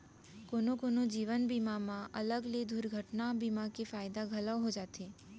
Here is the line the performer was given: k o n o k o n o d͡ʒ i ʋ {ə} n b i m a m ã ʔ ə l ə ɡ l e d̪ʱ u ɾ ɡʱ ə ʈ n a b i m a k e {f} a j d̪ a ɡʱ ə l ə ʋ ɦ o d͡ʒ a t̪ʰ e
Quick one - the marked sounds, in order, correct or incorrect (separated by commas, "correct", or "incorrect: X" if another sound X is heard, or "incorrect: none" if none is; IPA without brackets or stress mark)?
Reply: correct, correct